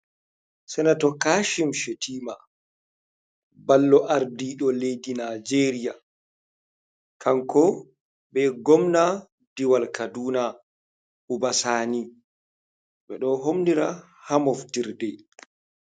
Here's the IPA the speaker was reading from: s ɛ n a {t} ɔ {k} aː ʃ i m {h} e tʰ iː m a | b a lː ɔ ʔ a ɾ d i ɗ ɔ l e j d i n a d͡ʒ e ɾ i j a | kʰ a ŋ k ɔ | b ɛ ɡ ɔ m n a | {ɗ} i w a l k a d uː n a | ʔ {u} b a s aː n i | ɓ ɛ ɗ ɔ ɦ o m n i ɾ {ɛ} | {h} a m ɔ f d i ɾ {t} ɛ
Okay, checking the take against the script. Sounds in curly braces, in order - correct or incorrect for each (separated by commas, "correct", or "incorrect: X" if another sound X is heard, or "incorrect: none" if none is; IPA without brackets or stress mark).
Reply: correct, correct, incorrect: ʃ, incorrect: d, correct, incorrect: a, correct, incorrect: d